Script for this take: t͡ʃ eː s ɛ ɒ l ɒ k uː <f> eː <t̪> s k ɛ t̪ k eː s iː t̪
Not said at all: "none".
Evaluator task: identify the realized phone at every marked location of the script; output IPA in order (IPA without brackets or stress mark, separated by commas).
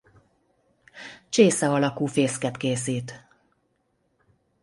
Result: f, none